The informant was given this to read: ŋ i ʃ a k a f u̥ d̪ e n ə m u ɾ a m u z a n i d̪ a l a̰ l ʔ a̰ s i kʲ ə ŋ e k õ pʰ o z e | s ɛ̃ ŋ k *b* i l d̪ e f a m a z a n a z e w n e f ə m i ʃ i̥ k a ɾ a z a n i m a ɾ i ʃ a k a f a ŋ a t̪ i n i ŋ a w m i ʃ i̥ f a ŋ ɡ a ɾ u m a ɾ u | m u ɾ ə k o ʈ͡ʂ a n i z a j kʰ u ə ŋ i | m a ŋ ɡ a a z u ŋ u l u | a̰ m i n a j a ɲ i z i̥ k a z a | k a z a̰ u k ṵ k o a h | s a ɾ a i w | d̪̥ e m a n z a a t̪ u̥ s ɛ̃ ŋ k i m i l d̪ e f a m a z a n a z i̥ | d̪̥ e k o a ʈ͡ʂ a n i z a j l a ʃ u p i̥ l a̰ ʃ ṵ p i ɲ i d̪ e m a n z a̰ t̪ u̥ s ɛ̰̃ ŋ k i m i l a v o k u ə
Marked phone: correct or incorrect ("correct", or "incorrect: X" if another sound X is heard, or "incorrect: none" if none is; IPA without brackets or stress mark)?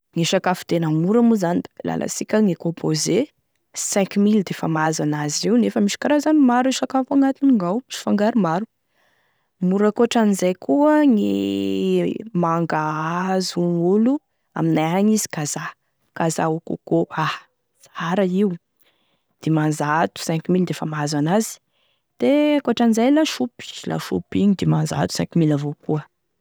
incorrect: m